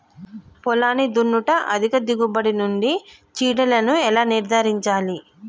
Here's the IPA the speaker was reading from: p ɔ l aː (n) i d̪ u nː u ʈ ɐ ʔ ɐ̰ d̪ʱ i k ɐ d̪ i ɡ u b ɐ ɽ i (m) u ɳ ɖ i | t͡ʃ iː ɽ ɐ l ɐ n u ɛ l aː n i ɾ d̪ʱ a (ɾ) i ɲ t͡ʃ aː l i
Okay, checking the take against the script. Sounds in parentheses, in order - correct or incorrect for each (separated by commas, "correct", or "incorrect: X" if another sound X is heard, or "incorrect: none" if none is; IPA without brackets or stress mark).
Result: correct, incorrect: n, correct